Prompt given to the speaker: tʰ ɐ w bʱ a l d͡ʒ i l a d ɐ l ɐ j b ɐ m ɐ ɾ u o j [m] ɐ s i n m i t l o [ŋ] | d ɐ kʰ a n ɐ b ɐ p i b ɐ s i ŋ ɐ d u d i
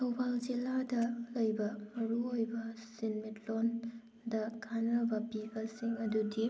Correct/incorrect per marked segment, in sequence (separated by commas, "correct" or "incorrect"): incorrect, incorrect